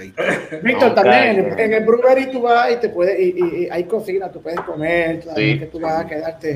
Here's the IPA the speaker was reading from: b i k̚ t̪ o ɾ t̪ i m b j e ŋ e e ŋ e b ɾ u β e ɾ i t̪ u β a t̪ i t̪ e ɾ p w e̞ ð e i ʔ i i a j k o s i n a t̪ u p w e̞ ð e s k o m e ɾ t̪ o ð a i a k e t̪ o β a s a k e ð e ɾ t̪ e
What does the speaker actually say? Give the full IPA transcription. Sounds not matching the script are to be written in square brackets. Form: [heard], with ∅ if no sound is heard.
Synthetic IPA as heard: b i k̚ t̪ o ɾ t̪ [a] m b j e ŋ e e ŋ e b ɾ u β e ɾ i t̪ u β a [∅] i t̪ e [∅] p w e̞ ð e i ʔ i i a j k o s i n a t̪ u p w e̞ ð e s k o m e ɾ t̪ o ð a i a k e t̪ [u] β a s a k e ð [a] ɾ t̪ e